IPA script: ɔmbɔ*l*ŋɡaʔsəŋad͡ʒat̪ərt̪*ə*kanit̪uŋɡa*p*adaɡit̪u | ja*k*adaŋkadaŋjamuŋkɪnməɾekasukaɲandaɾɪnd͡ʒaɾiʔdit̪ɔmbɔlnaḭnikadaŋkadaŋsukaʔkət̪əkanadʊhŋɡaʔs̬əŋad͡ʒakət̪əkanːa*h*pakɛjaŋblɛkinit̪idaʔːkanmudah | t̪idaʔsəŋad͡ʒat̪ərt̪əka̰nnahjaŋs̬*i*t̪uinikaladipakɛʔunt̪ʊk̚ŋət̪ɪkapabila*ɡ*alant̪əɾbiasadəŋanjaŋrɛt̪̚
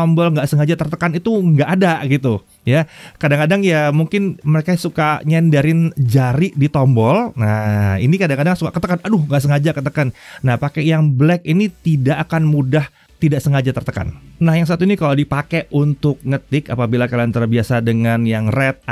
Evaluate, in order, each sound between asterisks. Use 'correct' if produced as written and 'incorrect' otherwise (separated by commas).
correct, correct, incorrect, correct, correct, incorrect, incorrect